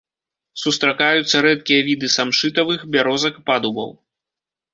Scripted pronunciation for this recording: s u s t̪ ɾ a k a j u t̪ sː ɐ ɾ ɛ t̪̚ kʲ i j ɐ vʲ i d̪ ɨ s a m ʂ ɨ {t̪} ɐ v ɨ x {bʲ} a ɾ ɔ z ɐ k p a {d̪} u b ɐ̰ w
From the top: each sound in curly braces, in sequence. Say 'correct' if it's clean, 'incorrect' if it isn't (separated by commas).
correct, correct, correct